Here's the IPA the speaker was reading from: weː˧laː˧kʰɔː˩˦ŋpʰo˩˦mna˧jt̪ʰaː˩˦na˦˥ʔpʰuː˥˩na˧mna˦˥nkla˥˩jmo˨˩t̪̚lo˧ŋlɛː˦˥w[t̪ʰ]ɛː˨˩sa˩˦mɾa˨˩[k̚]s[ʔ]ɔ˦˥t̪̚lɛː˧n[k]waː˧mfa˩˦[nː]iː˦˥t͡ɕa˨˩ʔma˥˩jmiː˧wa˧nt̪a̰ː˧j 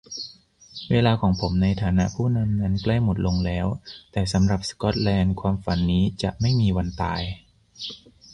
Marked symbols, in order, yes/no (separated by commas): no, no, no, no, yes